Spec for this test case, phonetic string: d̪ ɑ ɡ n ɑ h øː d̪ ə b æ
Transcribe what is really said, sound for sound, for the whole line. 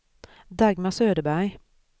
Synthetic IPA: d̪ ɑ ɡ m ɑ s øː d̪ ə b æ